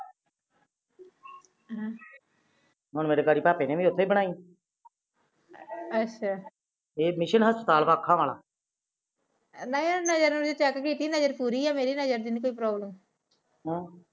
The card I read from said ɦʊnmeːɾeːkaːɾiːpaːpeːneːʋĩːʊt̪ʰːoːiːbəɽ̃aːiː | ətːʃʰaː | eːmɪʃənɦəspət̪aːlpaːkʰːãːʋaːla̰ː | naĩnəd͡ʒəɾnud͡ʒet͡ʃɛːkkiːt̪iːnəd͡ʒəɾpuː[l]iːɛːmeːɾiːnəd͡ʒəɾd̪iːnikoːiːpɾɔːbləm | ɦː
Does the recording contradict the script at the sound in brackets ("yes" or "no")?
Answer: yes